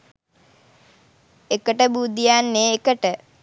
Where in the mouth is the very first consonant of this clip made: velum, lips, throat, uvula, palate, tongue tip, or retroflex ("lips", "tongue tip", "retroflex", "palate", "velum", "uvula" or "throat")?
velum